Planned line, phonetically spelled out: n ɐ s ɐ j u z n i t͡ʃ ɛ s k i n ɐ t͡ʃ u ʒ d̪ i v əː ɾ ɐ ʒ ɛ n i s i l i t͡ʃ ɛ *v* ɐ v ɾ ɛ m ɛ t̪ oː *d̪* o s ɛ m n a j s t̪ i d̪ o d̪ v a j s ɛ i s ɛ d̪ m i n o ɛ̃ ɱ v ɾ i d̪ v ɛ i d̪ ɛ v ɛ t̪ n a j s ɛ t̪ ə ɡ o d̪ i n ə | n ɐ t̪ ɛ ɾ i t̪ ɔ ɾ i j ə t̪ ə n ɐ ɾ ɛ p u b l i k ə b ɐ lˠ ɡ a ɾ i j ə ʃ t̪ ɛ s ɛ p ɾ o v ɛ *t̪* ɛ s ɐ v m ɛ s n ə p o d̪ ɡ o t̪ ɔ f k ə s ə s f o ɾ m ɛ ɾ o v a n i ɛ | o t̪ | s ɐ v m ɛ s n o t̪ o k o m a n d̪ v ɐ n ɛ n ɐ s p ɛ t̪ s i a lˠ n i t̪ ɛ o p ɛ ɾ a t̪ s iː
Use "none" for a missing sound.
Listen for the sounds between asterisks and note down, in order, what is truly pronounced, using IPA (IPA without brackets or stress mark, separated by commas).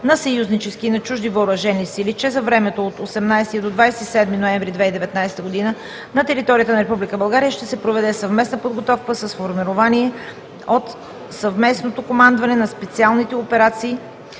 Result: z, t̪, d̪